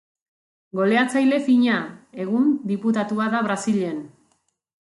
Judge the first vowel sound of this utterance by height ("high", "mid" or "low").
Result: mid